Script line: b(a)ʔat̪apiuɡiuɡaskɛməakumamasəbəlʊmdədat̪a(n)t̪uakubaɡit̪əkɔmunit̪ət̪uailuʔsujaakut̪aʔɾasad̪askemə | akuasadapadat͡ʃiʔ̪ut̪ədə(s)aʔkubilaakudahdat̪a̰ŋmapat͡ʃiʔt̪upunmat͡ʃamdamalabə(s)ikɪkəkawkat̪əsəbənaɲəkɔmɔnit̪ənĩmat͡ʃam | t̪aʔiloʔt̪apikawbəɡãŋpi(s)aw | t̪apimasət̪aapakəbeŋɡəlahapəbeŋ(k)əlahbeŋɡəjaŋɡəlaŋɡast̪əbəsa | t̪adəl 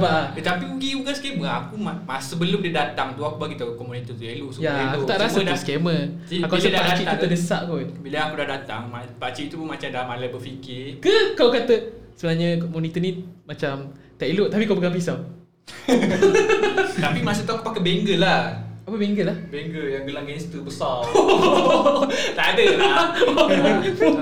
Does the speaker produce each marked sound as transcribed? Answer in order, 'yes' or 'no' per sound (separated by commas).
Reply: yes, no, yes, no, yes, no